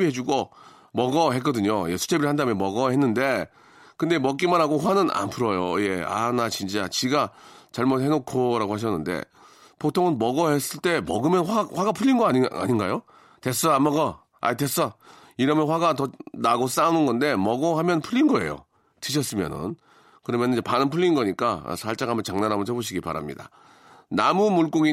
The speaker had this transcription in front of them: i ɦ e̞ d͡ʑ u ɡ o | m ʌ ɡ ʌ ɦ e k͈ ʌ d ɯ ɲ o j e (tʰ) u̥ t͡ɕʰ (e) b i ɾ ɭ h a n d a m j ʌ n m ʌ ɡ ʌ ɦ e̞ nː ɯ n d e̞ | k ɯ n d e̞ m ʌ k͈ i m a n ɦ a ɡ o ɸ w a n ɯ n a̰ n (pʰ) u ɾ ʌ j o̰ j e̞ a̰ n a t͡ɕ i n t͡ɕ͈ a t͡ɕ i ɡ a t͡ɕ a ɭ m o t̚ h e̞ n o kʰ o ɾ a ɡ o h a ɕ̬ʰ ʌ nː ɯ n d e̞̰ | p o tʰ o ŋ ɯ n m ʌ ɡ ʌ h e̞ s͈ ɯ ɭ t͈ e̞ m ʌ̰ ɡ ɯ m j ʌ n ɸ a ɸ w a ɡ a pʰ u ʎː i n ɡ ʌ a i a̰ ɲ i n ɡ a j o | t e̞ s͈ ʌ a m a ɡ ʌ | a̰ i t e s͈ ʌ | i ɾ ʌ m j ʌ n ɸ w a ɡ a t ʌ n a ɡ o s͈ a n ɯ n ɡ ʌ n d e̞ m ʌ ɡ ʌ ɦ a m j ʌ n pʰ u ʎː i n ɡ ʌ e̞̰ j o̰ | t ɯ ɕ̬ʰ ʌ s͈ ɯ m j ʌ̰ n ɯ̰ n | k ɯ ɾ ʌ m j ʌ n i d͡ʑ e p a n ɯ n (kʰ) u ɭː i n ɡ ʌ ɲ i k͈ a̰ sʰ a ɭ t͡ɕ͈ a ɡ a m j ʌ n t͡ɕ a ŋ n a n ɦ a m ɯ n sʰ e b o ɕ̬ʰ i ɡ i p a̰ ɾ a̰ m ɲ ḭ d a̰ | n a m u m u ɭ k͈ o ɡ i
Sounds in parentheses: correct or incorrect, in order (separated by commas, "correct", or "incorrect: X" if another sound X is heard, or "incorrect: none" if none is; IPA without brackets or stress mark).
incorrect: sʰ, correct, correct, incorrect: pʰ